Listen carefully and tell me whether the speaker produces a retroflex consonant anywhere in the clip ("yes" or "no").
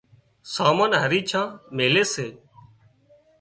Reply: no